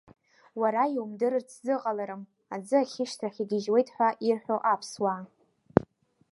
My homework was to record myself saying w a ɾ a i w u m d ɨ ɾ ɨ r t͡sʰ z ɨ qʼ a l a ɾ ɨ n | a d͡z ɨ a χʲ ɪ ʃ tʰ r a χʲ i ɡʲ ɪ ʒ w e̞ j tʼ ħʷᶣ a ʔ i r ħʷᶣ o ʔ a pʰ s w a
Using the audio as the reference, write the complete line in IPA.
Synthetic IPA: w a ɾ a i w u m d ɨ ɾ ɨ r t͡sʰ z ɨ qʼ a l a ɾ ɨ m | a d͡z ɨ a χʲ ɪ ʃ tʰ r a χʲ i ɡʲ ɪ ʒ w e̞ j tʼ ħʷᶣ a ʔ i r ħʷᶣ o ʔ a pʰ s w a